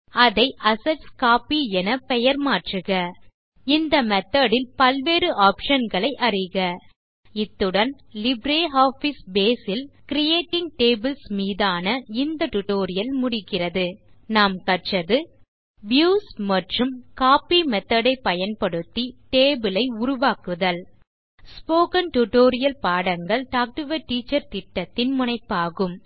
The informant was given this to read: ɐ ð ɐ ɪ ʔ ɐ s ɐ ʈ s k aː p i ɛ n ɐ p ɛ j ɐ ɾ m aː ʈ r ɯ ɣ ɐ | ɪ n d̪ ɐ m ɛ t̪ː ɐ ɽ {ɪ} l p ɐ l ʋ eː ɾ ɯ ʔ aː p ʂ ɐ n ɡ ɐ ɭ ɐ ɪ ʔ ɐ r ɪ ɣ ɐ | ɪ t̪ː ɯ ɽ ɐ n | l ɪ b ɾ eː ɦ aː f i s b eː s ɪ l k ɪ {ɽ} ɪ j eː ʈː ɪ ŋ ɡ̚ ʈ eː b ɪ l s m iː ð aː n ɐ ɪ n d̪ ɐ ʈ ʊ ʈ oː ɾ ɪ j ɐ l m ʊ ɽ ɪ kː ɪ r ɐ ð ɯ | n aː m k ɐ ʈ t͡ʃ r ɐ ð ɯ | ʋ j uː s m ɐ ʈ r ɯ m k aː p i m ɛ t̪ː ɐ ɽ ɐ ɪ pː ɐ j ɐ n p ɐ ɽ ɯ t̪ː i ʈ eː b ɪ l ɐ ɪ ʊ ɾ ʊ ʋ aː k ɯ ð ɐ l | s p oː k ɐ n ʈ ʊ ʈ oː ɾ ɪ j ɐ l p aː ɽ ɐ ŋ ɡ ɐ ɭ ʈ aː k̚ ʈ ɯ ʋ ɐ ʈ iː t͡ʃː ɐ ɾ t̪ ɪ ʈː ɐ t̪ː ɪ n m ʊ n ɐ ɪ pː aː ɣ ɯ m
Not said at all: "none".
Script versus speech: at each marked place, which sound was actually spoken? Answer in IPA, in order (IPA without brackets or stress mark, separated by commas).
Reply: ɪ, ɾ